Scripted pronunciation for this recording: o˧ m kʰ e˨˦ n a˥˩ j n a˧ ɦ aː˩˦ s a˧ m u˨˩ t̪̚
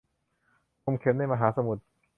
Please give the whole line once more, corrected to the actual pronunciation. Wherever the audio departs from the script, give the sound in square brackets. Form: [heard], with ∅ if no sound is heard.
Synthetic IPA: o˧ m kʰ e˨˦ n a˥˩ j [m] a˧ ɦ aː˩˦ s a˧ m u˨˩ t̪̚